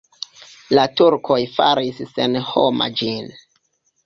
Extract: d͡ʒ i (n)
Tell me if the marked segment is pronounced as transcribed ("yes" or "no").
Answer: yes